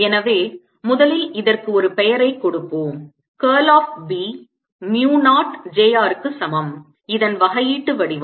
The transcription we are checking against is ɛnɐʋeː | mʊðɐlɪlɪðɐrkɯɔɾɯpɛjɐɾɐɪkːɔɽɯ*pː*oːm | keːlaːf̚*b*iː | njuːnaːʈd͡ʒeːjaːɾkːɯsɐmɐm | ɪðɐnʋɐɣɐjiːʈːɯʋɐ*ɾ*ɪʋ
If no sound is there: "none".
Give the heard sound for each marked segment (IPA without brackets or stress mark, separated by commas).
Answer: pː, b, ɽ